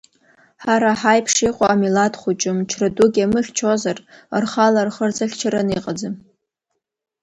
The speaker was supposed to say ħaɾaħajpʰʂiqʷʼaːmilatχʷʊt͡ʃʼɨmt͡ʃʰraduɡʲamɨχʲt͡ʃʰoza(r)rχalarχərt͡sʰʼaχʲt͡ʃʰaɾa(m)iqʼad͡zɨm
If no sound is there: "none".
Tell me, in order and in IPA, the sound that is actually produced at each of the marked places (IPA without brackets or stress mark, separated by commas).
r, n